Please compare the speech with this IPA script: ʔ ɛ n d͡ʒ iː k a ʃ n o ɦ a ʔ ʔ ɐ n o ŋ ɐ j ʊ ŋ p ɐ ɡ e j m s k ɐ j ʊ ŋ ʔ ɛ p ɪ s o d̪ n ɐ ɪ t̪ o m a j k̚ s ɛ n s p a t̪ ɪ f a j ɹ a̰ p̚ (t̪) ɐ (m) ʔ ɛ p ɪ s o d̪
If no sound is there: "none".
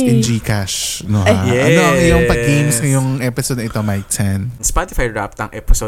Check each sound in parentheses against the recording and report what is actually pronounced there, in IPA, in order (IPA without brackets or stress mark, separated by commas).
t̪, ŋ